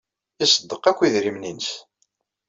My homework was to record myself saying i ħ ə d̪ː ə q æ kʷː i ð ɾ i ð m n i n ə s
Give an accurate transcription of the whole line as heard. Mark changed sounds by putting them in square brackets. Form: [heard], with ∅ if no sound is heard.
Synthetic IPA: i [s] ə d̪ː ə q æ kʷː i ð ɾ i [∅] m n i n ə s